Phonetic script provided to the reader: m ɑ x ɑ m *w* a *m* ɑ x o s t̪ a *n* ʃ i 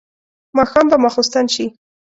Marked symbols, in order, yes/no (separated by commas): no, yes, yes